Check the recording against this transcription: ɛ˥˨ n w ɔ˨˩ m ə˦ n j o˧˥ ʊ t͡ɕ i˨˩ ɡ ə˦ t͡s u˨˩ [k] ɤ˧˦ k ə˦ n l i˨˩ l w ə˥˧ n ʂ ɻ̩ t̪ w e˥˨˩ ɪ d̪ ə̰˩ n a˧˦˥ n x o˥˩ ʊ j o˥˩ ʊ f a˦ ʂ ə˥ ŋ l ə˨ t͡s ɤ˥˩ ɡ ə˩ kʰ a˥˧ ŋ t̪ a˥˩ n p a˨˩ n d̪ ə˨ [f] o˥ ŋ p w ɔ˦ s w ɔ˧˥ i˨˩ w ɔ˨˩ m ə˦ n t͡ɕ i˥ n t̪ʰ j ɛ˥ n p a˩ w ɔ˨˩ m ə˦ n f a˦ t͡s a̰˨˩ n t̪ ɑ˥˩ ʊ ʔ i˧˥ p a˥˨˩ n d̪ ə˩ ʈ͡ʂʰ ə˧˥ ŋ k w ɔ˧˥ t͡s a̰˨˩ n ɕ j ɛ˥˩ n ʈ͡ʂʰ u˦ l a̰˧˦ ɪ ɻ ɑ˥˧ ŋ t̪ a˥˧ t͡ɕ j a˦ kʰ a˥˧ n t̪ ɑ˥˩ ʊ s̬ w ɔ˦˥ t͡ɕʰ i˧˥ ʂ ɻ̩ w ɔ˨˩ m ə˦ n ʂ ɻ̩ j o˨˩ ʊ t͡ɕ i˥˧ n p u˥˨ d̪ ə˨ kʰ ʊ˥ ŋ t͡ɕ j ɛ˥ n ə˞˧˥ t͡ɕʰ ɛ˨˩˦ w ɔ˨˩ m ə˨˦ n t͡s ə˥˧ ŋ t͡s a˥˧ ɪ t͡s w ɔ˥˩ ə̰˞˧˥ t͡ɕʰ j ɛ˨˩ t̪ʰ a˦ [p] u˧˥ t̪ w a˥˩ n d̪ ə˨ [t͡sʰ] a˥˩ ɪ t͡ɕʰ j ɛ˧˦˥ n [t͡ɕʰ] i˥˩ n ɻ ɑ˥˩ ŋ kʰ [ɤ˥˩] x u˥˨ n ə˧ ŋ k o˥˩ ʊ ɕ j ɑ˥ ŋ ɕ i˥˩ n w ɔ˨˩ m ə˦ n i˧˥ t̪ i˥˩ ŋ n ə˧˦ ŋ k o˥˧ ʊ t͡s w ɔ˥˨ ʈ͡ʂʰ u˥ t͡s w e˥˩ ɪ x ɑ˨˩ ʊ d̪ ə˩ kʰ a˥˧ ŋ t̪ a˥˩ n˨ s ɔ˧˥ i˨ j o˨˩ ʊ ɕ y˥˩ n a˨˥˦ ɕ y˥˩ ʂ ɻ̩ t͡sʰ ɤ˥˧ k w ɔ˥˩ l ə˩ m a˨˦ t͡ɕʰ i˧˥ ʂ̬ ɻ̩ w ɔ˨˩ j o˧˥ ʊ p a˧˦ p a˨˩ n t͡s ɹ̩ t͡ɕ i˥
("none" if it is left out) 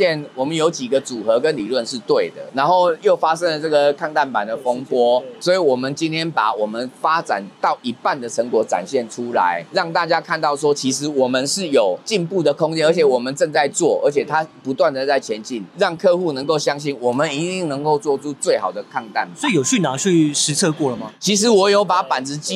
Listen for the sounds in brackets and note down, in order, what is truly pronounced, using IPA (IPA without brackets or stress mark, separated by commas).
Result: x, f, p, t͡s, t͡ɕ, ɤ˥˧